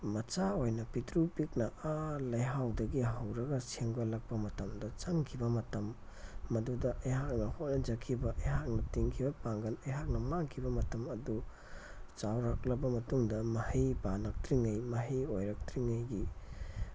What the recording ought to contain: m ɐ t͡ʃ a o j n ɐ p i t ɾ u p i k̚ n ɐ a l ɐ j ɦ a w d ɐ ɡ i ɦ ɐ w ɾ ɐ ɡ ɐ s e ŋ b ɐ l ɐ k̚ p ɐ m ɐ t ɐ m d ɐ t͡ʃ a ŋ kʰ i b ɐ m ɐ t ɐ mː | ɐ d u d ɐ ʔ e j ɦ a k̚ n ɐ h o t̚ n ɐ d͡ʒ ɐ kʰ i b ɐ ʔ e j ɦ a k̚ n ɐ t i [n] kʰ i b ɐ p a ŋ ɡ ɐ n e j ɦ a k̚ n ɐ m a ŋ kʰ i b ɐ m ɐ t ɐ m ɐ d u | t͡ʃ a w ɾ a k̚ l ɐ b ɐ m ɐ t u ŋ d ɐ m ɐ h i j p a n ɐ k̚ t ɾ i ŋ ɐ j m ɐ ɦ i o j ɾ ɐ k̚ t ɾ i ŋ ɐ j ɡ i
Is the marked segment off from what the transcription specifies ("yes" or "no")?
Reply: yes